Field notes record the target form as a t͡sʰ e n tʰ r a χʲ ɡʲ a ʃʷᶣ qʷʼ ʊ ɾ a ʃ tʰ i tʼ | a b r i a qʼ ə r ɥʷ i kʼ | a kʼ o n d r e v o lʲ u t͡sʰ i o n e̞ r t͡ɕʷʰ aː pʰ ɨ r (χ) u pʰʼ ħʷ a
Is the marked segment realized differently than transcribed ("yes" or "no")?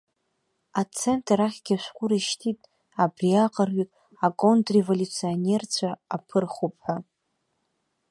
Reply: no